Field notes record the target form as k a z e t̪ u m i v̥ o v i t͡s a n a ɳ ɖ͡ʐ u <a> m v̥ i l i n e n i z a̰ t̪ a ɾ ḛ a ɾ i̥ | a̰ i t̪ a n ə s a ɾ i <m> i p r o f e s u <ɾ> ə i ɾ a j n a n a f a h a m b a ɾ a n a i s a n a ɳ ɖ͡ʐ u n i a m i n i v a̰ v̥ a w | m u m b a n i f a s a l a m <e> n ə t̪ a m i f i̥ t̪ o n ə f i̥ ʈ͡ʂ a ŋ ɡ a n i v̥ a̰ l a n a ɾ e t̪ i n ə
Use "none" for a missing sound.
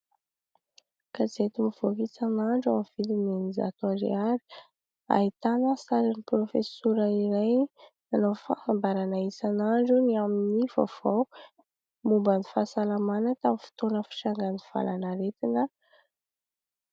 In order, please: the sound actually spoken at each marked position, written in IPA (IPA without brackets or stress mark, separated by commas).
a, n, ɾ, a